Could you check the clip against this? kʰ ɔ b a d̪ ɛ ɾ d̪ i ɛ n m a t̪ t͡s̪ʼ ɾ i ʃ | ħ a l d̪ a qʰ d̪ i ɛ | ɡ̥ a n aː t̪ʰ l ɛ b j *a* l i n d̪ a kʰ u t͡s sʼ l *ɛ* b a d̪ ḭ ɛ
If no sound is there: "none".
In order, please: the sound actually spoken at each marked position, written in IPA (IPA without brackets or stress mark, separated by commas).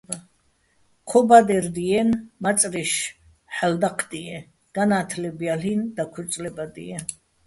a, ɛ